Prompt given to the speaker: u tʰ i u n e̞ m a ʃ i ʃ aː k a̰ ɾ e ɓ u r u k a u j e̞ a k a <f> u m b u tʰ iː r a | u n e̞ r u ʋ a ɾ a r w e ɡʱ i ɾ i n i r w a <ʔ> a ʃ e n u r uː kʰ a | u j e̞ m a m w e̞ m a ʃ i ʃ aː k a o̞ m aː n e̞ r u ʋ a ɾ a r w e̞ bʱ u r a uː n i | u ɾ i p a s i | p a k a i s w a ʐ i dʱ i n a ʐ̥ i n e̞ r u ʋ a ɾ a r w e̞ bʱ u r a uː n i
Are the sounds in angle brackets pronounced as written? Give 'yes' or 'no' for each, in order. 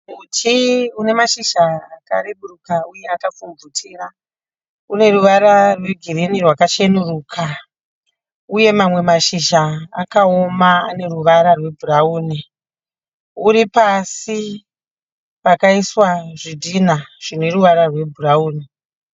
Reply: yes, no

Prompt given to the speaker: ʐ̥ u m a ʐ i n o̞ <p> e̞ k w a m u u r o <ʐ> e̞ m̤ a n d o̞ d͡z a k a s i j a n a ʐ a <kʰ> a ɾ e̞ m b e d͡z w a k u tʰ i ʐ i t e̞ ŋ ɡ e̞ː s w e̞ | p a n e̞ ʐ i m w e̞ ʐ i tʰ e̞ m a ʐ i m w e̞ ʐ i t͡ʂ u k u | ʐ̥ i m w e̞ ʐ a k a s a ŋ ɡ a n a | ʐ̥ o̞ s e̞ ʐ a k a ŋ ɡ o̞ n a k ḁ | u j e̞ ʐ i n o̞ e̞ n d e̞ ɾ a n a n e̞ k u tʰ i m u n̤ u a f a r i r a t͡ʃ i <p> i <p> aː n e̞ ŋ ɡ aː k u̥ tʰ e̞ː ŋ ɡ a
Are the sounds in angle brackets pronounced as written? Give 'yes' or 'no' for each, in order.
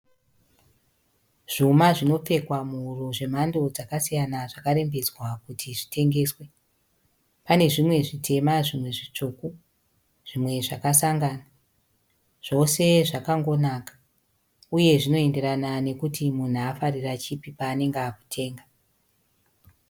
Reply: no, yes, no, yes, yes

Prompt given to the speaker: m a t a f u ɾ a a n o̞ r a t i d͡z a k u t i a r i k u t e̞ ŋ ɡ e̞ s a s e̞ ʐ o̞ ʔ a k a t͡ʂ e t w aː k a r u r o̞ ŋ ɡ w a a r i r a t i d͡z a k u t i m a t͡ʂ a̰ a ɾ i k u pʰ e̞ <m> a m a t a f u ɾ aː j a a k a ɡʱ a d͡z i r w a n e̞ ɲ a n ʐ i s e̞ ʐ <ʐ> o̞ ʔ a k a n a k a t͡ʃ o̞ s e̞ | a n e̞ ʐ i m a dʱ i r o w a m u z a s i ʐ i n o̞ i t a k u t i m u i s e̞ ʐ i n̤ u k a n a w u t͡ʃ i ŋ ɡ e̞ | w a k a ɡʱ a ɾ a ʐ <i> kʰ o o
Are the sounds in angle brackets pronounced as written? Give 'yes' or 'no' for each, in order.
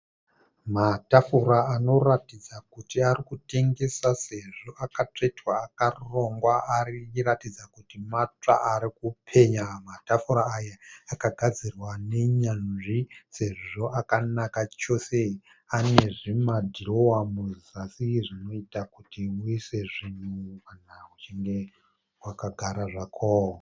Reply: no, yes, no

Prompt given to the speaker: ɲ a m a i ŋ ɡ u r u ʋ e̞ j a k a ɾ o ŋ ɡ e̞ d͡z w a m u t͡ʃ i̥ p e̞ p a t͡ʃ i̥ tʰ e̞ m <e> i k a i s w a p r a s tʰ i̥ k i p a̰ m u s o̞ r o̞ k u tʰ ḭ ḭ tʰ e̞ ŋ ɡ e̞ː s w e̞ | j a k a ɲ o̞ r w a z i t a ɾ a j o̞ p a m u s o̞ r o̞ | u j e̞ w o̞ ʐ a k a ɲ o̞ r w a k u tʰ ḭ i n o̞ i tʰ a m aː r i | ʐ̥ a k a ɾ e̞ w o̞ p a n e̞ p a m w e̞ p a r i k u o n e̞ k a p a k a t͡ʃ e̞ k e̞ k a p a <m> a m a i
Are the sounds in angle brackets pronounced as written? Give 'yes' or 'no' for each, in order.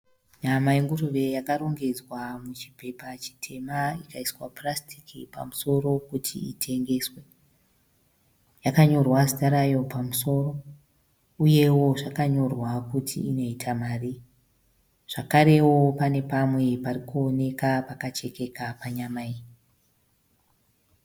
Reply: no, no

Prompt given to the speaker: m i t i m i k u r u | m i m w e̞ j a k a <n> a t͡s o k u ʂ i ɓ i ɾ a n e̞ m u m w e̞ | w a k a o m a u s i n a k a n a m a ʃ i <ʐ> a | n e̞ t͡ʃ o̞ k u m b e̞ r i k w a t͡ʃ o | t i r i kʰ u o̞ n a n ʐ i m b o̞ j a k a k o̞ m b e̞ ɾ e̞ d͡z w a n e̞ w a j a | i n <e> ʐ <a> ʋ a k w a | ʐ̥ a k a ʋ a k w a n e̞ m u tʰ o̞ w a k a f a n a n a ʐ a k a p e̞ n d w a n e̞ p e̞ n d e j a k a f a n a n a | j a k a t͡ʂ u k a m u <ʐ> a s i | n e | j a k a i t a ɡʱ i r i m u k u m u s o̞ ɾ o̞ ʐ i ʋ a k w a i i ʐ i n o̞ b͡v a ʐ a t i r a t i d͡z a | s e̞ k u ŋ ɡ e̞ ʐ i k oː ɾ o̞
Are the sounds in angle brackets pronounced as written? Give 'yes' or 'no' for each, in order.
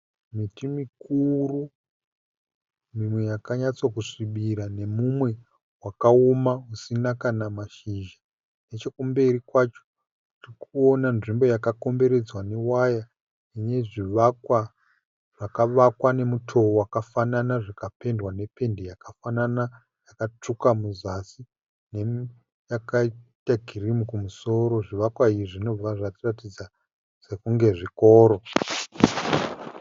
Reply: no, no, yes, no, no

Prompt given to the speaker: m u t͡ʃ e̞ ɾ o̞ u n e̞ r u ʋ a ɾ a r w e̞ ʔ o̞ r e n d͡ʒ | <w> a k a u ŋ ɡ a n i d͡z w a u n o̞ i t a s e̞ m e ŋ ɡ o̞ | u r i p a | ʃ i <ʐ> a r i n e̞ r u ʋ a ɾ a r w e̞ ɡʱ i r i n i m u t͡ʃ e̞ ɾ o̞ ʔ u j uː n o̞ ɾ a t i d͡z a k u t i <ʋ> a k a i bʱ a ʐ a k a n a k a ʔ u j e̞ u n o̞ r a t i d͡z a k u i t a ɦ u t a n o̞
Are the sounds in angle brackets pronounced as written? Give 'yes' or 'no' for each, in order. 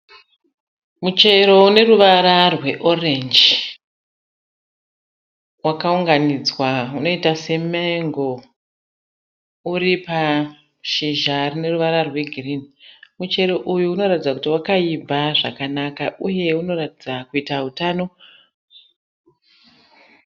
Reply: yes, no, no

